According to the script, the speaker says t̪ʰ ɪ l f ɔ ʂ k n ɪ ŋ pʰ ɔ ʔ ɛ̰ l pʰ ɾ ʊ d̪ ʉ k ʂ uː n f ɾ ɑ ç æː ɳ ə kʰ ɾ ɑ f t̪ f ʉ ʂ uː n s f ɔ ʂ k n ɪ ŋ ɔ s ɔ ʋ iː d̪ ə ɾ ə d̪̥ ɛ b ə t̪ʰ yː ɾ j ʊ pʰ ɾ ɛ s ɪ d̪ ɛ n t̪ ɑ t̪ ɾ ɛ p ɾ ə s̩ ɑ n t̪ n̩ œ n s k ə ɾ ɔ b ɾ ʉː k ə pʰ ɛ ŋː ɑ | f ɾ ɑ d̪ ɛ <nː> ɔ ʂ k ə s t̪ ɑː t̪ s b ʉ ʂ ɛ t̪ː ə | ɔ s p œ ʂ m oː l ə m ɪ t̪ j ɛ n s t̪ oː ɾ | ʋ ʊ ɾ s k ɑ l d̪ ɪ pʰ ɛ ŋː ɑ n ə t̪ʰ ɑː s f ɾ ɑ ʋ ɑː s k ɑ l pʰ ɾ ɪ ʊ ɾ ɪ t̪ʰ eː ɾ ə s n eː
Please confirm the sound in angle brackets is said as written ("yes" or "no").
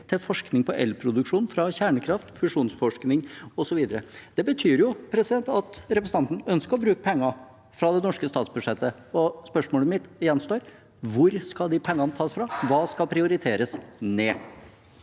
no